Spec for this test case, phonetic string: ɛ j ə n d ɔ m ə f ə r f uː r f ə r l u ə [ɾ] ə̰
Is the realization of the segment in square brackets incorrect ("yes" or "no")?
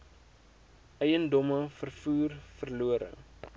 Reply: no